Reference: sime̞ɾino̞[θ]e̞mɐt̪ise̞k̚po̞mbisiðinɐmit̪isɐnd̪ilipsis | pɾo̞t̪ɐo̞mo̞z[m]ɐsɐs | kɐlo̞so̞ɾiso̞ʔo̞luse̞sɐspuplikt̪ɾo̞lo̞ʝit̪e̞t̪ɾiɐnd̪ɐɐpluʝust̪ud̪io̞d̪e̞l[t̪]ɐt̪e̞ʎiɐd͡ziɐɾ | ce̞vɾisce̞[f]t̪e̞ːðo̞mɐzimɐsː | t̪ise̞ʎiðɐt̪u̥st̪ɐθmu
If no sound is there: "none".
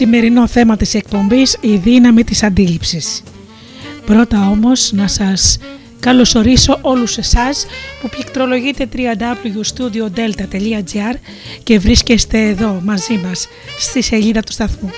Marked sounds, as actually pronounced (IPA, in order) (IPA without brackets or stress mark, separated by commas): θ, n, t̪, s